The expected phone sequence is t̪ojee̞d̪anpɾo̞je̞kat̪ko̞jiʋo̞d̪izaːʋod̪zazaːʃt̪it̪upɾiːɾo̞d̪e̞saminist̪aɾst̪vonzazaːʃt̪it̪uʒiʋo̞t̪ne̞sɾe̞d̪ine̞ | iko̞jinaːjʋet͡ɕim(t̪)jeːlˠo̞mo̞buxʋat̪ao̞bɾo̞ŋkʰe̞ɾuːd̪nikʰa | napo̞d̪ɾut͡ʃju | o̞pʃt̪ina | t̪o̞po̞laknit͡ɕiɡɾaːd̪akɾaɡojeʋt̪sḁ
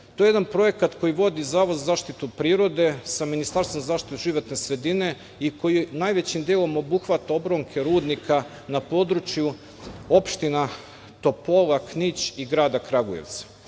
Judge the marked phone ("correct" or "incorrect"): incorrect